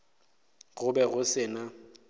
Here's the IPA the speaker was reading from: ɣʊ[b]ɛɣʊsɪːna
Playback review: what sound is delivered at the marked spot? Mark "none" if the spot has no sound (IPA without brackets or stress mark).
b